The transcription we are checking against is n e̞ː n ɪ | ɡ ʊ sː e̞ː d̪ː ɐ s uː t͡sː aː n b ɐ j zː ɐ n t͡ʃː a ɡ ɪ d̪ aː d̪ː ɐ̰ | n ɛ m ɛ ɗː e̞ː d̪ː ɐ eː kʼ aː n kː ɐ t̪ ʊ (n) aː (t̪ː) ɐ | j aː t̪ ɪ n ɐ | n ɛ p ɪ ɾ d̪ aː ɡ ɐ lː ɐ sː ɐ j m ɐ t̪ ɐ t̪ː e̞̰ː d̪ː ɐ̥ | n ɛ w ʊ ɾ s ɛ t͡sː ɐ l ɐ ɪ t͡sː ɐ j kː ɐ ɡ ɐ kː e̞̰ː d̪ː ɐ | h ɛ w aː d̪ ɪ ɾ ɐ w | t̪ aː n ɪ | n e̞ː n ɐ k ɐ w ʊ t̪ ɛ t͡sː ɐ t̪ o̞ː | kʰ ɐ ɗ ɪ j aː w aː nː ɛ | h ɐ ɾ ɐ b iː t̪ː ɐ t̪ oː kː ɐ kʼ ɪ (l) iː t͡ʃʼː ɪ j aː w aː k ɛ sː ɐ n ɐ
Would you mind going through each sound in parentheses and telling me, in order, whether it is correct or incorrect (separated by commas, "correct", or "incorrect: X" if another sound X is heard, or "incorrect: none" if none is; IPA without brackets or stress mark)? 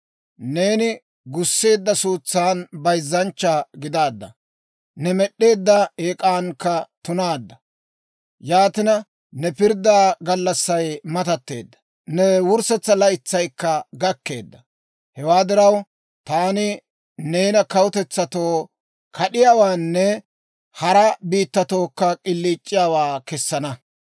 correct, incorrect: d̪ː, incorrect: lː